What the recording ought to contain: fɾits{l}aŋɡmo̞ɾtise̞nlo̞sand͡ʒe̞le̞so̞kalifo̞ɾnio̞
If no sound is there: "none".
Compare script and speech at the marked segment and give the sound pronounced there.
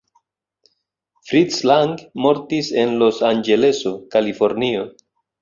l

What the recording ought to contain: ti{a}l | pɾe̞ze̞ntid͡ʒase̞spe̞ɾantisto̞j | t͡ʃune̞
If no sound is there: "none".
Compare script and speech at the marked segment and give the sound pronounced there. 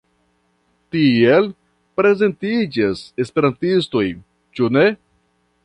e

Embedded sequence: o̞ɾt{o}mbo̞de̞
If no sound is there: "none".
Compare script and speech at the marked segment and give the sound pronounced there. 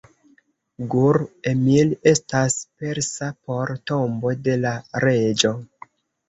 o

